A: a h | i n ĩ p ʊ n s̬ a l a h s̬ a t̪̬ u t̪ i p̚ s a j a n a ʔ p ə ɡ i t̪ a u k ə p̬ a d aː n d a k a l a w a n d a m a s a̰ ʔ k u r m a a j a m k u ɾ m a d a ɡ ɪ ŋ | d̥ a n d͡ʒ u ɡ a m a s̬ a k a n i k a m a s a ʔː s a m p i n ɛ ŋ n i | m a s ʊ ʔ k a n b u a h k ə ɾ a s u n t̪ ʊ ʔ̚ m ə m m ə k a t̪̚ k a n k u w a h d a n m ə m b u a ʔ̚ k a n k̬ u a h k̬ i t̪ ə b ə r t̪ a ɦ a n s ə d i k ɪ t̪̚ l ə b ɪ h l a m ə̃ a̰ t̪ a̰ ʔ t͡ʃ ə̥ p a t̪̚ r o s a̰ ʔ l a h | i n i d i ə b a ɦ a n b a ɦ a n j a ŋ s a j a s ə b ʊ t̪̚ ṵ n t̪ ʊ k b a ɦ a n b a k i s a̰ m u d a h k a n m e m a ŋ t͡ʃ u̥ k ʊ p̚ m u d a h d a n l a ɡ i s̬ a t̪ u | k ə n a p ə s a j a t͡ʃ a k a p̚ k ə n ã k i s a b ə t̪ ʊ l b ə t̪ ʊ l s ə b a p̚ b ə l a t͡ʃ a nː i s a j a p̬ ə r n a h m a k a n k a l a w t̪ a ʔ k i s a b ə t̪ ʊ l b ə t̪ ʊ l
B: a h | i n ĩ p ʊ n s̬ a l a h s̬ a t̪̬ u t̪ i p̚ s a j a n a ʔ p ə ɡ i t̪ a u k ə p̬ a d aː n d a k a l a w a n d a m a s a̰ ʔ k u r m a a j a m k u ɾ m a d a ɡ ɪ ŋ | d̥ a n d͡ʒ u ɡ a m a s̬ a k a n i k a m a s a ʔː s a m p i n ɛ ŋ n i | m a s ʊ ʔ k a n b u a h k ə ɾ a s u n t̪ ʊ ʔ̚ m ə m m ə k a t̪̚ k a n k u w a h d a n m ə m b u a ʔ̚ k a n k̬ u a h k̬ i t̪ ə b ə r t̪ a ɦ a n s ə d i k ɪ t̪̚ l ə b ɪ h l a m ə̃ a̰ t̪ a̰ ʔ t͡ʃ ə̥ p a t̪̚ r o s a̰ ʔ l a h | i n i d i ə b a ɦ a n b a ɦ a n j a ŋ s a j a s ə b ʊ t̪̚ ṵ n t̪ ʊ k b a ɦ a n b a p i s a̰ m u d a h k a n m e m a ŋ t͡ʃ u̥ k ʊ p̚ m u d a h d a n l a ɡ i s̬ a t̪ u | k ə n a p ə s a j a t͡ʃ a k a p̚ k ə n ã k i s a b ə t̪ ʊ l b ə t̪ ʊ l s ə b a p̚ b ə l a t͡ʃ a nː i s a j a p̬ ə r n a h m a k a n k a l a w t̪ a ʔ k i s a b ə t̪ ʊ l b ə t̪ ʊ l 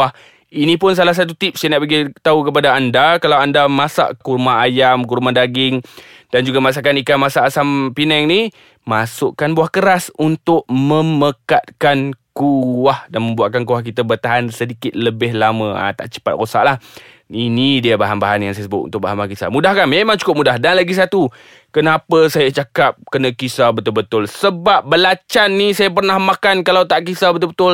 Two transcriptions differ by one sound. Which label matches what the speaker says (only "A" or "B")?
A